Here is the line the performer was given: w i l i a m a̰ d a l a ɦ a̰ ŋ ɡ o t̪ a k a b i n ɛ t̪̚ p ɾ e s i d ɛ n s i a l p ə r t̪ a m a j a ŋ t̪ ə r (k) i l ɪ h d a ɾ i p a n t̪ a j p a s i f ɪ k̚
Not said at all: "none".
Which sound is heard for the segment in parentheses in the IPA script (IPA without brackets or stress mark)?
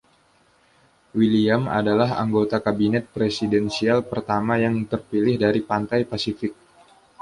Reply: p